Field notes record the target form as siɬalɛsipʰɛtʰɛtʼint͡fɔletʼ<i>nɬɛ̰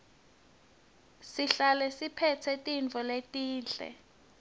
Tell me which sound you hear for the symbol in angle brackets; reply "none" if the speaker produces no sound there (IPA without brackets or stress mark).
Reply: iː